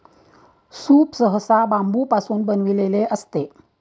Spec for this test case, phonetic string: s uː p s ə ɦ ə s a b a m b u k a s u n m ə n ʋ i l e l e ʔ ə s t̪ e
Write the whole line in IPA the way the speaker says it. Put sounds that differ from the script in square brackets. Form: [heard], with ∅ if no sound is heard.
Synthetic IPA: s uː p s ə ɦ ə s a b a m b u [p] a s u n [b] ə n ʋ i l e l e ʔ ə s t̪ e